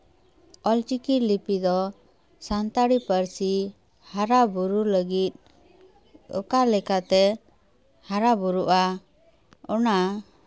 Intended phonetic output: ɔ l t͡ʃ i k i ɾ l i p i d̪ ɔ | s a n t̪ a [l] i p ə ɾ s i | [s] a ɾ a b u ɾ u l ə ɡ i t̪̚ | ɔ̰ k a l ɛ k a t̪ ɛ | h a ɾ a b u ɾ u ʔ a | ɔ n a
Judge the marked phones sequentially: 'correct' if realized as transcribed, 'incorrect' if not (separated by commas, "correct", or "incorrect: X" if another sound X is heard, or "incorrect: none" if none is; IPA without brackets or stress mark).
incorrect: ɽ, incorrect: h